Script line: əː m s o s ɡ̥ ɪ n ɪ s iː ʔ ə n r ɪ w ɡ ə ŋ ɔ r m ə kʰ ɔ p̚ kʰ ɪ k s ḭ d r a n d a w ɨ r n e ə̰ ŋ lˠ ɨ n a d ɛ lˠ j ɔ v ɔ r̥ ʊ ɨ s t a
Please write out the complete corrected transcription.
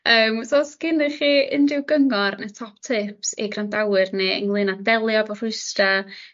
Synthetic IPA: əː m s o s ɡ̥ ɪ n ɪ χ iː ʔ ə n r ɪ w ɡ ə ŋ ɔ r n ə tʰ ɔ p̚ tʰ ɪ p s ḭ ɡ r a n d a w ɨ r n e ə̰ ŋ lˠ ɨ n a d ɛ lˠ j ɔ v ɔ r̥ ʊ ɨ s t a